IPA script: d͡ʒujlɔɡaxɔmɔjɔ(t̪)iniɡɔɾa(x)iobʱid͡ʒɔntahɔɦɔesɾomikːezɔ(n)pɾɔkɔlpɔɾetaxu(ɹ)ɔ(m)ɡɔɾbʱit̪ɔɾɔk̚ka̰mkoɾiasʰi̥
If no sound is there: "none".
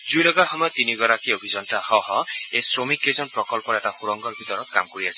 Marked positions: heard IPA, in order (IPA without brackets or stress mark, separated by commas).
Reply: t̪, k, n, ɾ, ŋ